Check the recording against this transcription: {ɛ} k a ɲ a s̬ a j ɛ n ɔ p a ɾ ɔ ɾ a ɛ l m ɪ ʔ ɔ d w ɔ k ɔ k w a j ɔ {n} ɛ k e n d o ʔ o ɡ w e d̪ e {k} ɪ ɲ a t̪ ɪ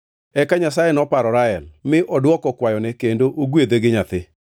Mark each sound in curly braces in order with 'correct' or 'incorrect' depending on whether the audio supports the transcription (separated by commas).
correct, correct, incorrect